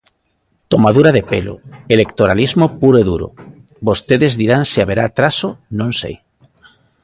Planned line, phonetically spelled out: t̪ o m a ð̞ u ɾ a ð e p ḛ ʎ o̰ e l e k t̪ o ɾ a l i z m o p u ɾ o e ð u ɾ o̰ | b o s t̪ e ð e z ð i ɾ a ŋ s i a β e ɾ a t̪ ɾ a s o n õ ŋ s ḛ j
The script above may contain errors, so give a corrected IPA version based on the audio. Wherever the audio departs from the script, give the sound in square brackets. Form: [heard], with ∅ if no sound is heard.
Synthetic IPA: t̪ o m a ð̞ u ɾ a ð e p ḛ [l] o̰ e l e k t̪ o ɾ a l i z m o p u ɾ o e ð u ɾ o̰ | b o s t̪ e ð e z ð i ɾ a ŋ s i a β e ɾ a t̪ ɾ a s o n õ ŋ s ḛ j